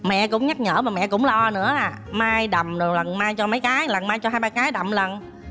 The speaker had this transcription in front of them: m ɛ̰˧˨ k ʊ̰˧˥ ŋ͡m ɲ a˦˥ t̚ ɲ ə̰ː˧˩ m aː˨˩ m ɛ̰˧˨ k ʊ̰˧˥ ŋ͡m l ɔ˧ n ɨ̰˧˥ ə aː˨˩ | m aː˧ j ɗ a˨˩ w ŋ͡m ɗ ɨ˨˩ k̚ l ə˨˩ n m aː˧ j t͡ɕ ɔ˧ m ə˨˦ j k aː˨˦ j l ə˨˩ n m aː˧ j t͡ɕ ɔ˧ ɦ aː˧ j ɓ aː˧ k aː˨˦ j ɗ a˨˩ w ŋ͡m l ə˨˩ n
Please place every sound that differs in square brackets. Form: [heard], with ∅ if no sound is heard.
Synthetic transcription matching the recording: m ɛ̰˧˨ k ʊ̰˧˥ ŋ͡m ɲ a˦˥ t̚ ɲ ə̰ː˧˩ m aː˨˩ m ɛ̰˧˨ k ʊ̰˧˥ ŋ͡m l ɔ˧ n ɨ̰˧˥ ə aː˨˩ | m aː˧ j ɗ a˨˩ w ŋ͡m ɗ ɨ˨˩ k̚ l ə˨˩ n m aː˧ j t͡ɕ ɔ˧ m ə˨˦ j k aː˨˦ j l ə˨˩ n m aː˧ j t͡ɕ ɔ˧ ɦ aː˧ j ɓ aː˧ k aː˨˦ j ɗ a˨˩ w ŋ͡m l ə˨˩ n